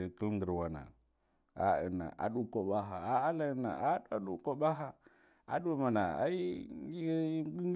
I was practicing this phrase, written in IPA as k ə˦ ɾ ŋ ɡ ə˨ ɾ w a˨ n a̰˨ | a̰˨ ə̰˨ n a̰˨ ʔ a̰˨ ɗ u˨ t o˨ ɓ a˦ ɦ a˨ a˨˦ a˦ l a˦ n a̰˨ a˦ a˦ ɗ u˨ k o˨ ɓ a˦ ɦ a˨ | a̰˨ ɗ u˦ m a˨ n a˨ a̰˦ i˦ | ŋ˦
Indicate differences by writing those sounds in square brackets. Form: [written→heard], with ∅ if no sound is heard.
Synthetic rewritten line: k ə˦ [ɾ→l] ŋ ɡ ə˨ ɾ w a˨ n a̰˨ | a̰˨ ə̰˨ n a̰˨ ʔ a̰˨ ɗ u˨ [t→k] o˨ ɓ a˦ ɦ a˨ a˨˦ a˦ l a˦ n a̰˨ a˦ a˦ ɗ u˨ k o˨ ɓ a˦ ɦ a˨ | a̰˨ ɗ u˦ m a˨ n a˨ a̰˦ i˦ | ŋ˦